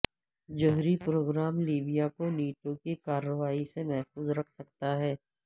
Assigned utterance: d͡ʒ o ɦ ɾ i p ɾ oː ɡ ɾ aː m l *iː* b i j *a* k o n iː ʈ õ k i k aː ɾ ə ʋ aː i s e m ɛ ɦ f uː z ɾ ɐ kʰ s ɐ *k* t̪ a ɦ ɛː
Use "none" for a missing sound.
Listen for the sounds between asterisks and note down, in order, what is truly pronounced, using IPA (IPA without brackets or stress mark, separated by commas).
iː, a, k